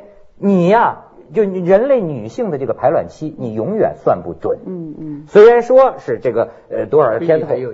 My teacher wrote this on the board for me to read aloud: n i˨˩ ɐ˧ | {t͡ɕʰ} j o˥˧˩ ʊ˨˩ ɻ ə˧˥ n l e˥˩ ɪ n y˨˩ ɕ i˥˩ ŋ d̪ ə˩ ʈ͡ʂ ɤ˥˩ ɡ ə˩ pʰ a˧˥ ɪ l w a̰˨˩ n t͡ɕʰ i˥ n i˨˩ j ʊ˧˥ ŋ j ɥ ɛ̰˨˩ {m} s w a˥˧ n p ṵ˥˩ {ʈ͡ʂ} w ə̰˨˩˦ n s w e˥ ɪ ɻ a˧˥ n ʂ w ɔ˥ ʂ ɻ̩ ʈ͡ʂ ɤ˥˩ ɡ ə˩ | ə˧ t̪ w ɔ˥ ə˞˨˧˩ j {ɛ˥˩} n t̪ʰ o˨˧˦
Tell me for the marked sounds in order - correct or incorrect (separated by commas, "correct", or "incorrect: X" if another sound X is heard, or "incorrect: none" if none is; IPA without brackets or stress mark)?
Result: incorrect: t͡ɕ, incorrect: n, correct, incorrect: ɛ˥